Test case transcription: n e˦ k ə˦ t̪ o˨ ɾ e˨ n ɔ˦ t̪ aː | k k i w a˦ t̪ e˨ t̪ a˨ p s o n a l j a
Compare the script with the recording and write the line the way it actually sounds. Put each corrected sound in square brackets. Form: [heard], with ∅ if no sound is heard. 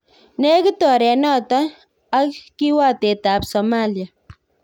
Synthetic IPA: n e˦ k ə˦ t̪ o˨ ɾ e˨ n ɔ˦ t̪ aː | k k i w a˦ t̪ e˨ t̪ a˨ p s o [m] a l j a